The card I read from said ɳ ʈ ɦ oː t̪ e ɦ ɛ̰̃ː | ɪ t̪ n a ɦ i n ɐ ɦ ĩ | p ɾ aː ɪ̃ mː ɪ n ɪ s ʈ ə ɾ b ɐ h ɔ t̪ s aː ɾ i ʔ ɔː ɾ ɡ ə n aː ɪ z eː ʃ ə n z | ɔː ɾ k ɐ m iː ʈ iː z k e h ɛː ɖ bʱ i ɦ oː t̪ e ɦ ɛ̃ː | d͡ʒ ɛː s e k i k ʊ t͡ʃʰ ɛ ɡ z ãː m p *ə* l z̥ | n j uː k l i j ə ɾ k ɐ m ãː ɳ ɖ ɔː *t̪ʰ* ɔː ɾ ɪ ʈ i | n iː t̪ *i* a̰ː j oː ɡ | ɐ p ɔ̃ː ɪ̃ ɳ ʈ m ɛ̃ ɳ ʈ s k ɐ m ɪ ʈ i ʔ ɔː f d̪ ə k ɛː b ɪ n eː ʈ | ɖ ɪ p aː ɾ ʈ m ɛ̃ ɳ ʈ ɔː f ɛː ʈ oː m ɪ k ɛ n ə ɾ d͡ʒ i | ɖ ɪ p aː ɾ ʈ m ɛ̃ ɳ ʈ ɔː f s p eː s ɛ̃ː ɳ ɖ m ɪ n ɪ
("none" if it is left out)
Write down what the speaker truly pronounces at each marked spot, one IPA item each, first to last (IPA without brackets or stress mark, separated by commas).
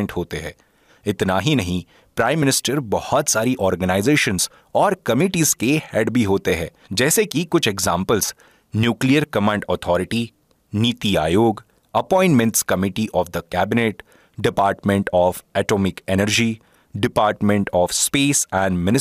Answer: ə, t̪ʰ, i